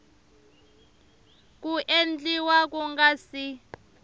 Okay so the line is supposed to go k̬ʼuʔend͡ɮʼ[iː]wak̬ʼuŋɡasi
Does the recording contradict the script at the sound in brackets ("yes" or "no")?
yes